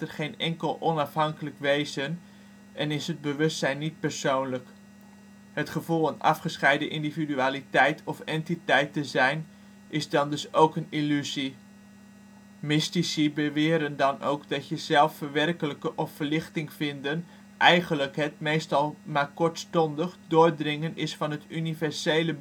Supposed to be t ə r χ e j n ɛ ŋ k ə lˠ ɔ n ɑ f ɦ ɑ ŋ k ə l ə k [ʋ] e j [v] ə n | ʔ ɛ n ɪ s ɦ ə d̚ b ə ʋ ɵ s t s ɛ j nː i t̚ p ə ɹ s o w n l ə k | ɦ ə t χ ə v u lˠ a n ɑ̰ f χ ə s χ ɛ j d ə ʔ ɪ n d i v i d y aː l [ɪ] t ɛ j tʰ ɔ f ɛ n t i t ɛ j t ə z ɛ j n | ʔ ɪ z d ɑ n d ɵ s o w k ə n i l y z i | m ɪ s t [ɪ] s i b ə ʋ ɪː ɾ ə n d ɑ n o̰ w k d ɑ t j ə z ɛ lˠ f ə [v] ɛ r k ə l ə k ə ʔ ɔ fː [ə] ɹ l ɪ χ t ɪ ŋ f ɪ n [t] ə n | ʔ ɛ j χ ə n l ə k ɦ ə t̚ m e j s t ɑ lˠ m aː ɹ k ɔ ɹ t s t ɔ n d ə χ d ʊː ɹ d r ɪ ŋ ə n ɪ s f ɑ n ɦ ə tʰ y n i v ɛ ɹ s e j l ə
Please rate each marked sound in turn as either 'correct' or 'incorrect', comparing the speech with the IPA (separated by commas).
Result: correct, incorrect, incorrect, incorrect, incorrect, correct, incorrect